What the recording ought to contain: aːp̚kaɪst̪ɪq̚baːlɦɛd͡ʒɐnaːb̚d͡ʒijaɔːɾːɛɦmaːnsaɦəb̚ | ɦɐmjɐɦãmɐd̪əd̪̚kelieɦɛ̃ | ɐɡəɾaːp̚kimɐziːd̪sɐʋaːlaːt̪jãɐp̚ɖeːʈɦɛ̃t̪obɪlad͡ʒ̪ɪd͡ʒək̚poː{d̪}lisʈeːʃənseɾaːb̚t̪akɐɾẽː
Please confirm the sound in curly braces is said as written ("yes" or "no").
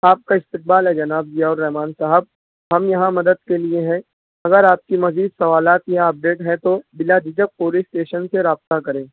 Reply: no